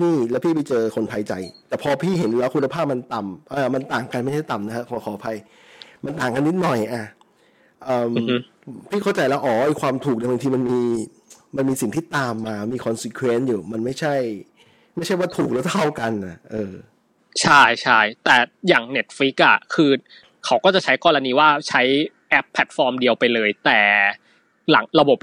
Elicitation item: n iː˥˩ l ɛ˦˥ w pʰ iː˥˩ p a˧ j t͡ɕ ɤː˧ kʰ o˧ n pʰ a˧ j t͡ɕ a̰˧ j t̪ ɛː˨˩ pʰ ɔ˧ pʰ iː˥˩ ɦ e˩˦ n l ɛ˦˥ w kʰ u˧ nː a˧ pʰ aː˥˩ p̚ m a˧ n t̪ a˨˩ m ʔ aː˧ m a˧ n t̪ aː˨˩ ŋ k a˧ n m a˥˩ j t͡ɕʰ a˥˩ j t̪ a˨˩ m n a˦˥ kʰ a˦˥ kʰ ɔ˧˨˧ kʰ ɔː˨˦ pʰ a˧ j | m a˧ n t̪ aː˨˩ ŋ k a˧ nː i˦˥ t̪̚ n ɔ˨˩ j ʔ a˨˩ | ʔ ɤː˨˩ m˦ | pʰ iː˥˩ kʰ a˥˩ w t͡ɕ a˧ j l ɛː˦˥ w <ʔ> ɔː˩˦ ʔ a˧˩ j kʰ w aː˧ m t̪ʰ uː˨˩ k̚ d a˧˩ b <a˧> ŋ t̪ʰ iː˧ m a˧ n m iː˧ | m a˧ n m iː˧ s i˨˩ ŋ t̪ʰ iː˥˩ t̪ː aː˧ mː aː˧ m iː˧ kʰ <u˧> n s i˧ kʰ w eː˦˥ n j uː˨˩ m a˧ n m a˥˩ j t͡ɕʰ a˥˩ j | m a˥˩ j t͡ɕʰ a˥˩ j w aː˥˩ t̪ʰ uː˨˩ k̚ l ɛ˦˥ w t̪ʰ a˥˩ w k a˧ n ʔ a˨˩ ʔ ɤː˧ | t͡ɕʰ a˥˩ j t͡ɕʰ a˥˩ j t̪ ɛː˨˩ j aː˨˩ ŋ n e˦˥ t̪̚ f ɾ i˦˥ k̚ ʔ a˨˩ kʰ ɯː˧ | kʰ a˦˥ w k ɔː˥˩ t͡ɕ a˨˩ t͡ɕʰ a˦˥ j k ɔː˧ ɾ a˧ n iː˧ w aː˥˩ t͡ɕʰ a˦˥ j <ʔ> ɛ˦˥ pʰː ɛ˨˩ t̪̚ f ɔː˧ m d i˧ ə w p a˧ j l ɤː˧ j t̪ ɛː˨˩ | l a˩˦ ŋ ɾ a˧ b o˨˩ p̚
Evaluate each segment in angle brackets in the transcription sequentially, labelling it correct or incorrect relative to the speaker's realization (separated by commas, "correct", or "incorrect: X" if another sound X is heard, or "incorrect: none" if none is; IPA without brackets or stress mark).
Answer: correct, correct, incorrect: ɔ˧, correct